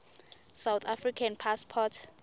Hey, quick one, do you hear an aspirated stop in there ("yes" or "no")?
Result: yes